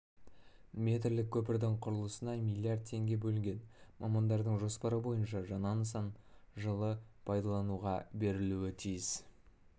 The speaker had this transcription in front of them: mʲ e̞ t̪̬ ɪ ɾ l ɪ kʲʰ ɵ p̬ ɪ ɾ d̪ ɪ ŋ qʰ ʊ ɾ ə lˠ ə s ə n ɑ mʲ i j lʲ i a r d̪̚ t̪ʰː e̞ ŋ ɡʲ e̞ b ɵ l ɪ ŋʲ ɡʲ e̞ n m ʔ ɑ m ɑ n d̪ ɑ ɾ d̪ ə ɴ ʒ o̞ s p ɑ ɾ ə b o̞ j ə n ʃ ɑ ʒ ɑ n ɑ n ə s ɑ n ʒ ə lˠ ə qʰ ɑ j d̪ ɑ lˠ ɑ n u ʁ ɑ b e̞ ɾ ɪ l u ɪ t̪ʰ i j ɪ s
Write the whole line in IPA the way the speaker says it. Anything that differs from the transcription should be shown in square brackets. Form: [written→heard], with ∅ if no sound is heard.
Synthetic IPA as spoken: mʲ e̞ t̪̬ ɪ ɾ l ɪ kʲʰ ɵ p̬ ɪ ɾ d̪ ɪ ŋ qʰ ʊ ɾ ə lˠ ə s ə n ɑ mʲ i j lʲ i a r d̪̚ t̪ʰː e̞ ŋ ɡʲ e̞ b ɵ l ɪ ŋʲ ɡʲ e̞ n m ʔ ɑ m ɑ n d̪ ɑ ɾ d̪ ə ɴ ʒ o̞ s p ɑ ɾ ə b o̞ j ə n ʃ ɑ ʒ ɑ n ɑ n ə s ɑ n ʒ ə lˠ ə [qʰ→pʰ] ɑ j d̪ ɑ lˠ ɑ n u ʁ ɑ b e̞ ɾ ɪ l u ɪ t̪ʰ i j ɪ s